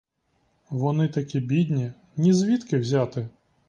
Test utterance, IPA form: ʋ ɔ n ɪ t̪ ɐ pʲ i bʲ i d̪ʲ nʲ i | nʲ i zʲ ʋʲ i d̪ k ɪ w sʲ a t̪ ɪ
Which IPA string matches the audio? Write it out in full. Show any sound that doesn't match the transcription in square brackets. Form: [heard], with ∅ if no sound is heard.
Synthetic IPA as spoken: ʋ ɔ n ɪ t̪ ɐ [kʲ] i bʲ i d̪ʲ nʲ i | nʲ i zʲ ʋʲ i [t̪] k ɪ w [zʲ] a t̪ ɪ